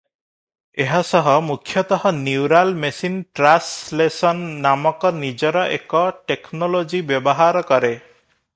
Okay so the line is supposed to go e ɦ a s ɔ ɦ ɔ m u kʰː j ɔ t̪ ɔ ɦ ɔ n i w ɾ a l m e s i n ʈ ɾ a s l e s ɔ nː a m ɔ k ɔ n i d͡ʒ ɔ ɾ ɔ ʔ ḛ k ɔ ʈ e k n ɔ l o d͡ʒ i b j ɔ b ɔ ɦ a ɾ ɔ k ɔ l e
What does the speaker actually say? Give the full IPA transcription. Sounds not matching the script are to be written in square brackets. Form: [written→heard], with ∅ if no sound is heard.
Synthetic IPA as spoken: e ɦ a s ɔ ɦ ɔ m u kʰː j ɔ t̪ ɔ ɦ ɔ n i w ɾ a l m e s i n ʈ ɾ a s l e s ɔ nː a m ɔ k ɔ n i d͡ʒ ɔ ɾ ɔ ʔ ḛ k ɔ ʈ e k n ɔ l o d͡ʒ i b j ɔ b ɔ ɦ a ɾ ɔ k ɔ [l→ɾ] e